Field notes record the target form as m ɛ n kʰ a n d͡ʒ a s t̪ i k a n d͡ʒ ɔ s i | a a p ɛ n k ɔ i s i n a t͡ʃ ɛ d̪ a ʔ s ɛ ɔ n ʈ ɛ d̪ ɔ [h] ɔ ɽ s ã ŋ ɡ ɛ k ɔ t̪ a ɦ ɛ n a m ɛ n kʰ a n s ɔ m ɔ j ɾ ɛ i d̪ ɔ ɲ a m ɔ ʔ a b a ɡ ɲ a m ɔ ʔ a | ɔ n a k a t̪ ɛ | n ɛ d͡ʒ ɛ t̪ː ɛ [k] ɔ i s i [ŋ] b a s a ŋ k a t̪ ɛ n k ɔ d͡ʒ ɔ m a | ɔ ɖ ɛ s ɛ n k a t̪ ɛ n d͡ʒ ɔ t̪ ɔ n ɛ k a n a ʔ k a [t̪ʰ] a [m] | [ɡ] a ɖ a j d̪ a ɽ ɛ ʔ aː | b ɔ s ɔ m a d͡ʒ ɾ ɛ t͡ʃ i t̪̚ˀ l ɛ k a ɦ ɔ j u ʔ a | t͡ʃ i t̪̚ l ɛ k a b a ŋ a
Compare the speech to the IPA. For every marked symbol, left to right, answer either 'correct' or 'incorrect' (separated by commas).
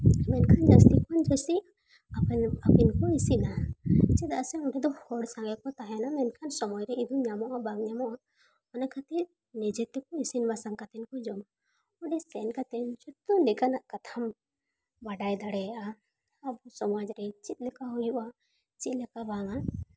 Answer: correct, correct, incorrect, correct, correct, incorrect